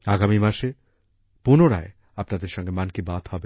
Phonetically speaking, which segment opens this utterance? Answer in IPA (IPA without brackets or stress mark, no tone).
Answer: a